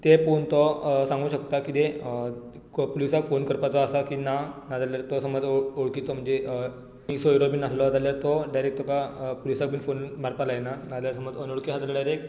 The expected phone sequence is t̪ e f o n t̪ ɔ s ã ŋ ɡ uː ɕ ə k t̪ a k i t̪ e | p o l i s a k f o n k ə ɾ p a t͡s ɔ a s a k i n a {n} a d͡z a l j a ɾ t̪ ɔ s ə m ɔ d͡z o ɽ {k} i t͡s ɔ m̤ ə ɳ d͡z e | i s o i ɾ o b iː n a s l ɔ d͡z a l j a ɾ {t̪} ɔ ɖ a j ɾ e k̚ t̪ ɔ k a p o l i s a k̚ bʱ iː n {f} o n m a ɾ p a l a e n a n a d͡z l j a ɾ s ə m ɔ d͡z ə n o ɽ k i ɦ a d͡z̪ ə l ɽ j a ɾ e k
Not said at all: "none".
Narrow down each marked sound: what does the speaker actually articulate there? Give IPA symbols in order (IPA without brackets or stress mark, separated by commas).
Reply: n, k, t̪, f